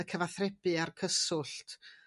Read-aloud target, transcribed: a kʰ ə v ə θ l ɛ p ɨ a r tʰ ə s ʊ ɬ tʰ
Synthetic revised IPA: ə kʰ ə v a θ r ɛ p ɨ a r kʰ ə s ʊ ɬ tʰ